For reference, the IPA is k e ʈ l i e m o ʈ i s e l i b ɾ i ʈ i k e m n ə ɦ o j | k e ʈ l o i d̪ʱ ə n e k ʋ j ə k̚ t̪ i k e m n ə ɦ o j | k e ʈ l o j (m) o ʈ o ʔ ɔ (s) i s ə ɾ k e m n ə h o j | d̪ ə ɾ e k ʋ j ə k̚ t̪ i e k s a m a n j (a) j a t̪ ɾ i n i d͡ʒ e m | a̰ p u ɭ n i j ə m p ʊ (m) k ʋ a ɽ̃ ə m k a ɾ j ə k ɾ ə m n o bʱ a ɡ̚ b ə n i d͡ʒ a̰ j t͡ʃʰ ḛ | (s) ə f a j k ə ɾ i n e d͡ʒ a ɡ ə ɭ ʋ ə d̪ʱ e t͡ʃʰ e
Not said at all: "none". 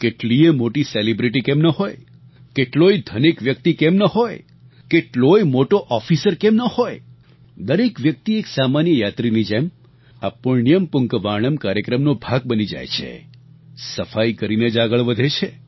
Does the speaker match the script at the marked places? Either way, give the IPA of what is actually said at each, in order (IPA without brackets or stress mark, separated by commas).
m, f, ə, ŋ, s